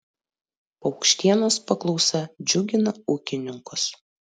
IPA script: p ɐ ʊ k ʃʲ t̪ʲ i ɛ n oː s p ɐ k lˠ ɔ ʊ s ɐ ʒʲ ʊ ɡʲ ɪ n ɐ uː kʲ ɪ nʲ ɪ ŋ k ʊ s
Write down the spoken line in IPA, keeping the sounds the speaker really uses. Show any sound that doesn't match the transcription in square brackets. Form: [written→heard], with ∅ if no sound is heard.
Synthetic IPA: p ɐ ʊ k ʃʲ t̪ʲ i ɛ n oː s p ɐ k lˠ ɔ ʊ s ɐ [ʒʲ→d͡ʒʲ] ʊ ɡʲ ɪ n ɐ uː kʲ ɪ nʲ ɪ ŋ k ʊ s